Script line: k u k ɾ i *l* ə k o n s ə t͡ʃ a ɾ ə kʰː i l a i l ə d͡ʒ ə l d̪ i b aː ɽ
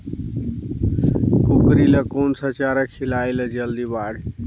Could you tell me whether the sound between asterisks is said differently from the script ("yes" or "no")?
no